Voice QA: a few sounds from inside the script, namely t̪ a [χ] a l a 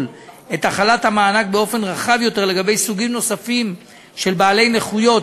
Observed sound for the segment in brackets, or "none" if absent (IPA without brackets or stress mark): χ